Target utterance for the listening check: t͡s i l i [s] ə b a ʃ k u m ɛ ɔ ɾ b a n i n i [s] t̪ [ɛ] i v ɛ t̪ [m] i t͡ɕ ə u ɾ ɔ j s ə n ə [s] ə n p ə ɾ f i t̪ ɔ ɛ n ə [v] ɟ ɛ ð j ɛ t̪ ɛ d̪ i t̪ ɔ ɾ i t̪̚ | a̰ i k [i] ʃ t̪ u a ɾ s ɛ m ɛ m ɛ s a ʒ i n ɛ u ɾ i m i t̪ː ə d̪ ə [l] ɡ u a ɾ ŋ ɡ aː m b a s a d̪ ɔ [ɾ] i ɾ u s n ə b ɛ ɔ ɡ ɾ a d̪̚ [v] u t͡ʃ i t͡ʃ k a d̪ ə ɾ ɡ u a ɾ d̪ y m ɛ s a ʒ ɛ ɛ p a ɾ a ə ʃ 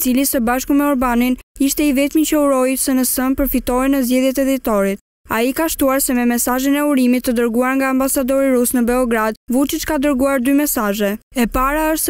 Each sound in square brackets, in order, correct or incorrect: correct, incorrect, correct, correct, correct, incorrect, incorrect, incorrect, correct, correct

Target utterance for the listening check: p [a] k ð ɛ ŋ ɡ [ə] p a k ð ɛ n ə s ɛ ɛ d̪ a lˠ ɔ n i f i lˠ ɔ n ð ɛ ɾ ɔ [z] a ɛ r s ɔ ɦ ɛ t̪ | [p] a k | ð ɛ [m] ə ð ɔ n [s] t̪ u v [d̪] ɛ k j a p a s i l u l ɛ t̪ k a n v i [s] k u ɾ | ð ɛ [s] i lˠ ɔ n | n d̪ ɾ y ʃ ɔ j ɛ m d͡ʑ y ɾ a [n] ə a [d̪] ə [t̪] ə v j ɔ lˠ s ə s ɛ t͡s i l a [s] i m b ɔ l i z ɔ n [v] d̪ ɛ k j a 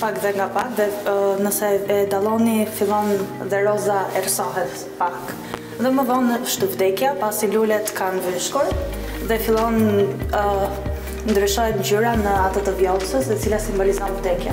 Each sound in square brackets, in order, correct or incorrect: correct, incorrect, correct, correct, correct, incorrect, correct, incorrect, incorrect, correct, incorrect, correct, correct, correct

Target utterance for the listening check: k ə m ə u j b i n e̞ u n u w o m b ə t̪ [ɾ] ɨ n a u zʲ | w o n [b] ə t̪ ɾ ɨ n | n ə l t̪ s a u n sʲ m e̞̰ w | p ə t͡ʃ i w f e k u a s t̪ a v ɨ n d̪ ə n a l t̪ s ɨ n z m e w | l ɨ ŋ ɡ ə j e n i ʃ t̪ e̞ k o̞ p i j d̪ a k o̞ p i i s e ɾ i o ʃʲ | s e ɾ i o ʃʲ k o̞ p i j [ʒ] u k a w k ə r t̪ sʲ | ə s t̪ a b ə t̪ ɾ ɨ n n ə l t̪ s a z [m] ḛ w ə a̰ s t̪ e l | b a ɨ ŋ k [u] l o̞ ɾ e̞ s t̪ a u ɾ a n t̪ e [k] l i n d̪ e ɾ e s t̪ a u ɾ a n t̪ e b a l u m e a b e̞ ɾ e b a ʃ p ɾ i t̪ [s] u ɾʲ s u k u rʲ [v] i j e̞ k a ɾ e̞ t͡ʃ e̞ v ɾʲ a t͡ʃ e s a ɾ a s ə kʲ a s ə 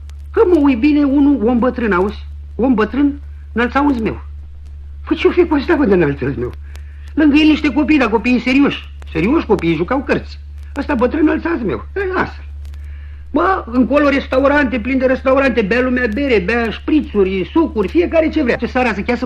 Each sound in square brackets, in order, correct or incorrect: correct, correct, correct, correct, incorrect, incorrect, correct, incorrect

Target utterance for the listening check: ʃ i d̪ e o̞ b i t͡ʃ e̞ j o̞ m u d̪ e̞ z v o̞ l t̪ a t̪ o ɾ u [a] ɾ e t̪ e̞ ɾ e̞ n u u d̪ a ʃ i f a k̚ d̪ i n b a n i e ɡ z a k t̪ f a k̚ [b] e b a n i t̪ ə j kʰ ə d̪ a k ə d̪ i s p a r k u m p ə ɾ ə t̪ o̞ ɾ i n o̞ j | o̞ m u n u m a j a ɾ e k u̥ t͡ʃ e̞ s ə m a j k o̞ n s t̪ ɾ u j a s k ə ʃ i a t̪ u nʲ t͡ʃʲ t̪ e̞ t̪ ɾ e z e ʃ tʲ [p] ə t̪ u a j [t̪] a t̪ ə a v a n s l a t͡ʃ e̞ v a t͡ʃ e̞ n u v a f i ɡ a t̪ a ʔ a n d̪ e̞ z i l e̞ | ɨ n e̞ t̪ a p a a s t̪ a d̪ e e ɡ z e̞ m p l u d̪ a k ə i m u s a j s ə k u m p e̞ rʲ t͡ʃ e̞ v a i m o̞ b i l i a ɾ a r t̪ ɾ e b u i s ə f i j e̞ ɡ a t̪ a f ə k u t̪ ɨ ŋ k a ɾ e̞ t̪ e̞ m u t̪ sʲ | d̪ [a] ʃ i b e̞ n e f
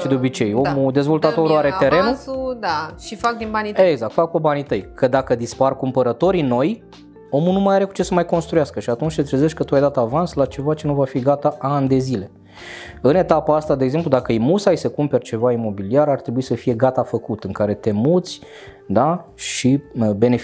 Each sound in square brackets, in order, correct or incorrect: correct, incorrect, incorrect, incorrect, correct

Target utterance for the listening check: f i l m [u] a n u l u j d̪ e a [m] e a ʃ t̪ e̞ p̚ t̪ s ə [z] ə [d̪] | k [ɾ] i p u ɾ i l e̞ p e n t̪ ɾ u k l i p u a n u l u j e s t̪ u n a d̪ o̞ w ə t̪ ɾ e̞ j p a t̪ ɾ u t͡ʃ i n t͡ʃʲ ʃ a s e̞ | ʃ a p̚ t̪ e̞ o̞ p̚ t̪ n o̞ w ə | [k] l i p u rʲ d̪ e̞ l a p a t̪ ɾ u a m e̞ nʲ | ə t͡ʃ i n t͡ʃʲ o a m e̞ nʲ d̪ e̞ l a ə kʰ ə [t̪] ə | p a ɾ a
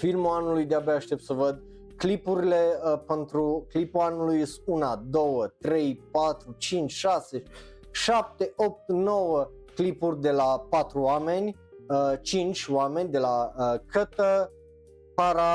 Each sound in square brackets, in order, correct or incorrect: correct, incorrect, incorrect, correct, incorrect, correct, correct

